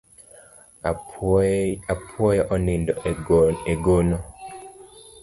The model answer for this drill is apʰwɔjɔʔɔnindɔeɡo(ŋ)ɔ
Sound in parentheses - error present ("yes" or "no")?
yes